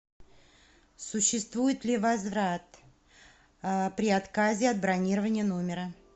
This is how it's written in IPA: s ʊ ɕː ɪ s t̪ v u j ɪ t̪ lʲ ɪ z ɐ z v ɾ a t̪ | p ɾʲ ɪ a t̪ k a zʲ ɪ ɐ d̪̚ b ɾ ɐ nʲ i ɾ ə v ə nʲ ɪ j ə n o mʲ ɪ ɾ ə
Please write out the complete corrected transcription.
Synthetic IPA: s ʊ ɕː ɪ s t̪ v u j ɪ t̪ lʲ ɪ v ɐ z v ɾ a t̪ | p ɾʲ ɪ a t̪ k a zʲ ɪ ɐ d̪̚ b ɾ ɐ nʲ i ɾ ə v ə nʲ ɪ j ə n o mʲ ɪ ɾ ə